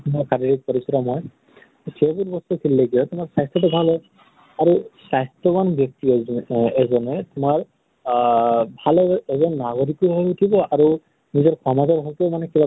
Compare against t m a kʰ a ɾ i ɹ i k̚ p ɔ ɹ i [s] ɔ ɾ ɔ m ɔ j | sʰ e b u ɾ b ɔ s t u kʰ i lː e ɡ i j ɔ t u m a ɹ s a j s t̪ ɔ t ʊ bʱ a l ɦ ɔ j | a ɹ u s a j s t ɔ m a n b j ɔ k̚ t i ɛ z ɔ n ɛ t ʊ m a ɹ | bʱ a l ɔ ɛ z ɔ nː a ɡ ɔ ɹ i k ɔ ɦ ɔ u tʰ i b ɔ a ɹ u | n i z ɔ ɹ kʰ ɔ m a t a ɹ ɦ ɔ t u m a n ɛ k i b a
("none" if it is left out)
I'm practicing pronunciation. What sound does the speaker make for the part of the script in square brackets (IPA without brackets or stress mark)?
s